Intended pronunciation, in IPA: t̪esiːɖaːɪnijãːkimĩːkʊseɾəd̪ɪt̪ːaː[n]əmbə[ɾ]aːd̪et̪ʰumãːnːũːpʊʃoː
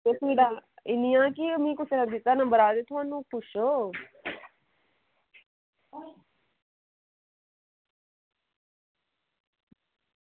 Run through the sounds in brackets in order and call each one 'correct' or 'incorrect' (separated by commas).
correct, correct